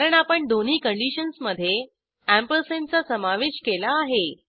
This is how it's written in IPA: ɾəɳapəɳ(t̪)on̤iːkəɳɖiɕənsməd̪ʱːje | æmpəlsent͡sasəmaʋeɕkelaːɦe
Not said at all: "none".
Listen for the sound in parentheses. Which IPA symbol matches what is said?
d̪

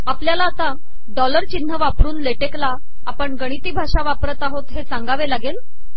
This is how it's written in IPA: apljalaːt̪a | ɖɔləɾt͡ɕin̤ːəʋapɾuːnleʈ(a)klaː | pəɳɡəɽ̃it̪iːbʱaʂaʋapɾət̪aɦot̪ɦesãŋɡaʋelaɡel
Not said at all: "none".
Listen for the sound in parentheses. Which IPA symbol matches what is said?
e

